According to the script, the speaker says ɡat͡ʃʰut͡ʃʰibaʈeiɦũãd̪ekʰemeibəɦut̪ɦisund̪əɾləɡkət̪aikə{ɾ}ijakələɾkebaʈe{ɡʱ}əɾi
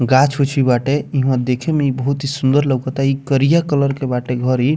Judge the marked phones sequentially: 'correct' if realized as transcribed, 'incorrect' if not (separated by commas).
correct, correct